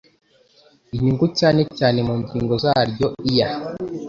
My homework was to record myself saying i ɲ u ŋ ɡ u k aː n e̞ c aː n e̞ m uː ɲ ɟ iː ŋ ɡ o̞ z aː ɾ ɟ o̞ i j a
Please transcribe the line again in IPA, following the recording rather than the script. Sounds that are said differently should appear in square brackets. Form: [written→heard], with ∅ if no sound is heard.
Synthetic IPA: i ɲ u ŋ ɡ u [k→c] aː n e̞ c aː n e̞ m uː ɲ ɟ iː ŋ ɡ o̞ z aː ɾ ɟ o̞ i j a

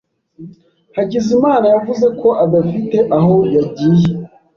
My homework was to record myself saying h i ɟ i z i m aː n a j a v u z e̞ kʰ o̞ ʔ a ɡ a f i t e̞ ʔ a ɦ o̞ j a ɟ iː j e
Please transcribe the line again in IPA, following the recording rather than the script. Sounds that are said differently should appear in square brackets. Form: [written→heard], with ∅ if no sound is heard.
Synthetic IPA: h [i→a] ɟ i z i m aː n a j a v u z e̞ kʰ o̞ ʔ a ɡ a f i t e̞ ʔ a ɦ o̞ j a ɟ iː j e

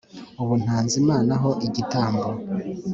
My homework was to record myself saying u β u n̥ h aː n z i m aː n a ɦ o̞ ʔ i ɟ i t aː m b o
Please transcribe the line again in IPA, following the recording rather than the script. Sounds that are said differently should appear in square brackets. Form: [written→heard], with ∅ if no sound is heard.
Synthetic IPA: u β u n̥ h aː n z i m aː n a ɦ o̞ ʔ i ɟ i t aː m b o

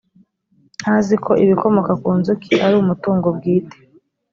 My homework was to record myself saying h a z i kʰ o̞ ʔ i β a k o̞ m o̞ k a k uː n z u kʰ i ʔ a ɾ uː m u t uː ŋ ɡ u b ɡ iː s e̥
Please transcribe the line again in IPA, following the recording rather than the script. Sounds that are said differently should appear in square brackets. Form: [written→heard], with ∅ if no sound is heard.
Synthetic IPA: h a z i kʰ o̞ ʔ i β [a→i] k o̞ m o̞ k a k uː n z u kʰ i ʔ a ɾ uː m u t uː ŋ ɡ [u→o] b ɡ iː [s→t] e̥

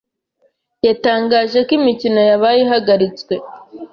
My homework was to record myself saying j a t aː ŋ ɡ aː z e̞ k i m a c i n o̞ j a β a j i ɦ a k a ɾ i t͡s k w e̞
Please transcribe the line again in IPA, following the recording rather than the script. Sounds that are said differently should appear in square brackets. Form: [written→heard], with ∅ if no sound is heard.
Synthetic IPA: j a t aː ŋ ɡ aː [z→ʒ] e̞ k i m [a→i] c i n o̞ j a β a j i ɦ a [k→ɡ] a ɾ i t͡s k w e̞

